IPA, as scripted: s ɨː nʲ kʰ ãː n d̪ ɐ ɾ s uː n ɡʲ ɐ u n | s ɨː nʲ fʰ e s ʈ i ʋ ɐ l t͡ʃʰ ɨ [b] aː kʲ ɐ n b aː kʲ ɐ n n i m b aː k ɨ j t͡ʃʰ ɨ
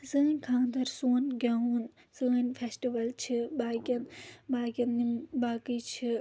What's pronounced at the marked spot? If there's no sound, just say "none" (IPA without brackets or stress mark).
b